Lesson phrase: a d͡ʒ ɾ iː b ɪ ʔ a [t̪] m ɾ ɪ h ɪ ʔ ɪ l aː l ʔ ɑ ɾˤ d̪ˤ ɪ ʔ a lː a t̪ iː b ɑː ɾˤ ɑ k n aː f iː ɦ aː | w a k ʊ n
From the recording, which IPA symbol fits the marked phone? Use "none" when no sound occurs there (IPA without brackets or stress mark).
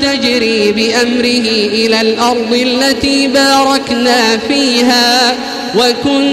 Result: none